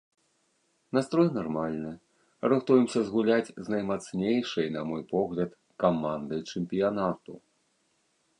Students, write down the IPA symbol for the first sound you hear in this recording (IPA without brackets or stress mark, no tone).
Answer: n